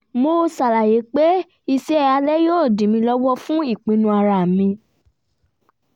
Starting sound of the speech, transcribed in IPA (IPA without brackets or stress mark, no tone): m